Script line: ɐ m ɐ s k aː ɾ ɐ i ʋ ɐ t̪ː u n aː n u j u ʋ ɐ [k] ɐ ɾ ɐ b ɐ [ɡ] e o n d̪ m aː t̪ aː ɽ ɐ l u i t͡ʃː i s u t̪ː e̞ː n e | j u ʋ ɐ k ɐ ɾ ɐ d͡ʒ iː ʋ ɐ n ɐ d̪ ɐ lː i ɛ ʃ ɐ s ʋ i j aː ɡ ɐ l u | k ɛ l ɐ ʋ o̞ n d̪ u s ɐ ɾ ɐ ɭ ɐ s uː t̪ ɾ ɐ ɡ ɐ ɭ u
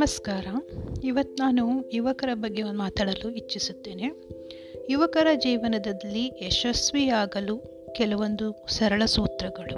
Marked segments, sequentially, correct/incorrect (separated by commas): correct, incorrect